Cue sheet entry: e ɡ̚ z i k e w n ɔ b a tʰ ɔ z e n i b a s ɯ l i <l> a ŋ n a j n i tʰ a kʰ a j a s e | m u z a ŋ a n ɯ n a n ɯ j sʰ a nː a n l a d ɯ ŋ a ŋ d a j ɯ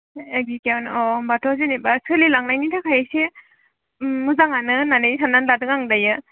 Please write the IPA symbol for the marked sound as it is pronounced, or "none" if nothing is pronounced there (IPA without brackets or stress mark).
l